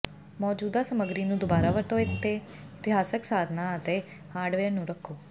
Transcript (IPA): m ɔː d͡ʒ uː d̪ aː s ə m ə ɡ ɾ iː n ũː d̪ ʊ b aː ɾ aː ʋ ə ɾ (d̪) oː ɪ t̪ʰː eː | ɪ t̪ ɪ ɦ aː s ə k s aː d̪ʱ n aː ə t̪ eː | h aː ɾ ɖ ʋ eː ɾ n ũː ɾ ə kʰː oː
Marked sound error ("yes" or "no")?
yes